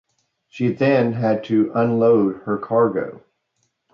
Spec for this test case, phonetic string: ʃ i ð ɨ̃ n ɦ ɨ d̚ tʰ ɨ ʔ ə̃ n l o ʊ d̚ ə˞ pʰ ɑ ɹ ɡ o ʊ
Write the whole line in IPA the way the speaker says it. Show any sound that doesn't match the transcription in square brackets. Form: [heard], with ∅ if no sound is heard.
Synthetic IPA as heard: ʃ i ð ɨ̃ n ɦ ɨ d̚ tʰ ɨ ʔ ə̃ n l o ʊ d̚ ə˞ [kʰ] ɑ ɹ ɡ o ʊ